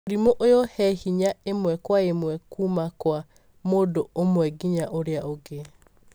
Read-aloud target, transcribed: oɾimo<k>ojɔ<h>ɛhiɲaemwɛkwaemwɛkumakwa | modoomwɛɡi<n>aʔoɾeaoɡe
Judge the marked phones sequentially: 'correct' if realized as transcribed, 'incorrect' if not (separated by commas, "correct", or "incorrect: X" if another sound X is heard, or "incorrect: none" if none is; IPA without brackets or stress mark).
incorrect: ʔ, correct, incorrect: ɲ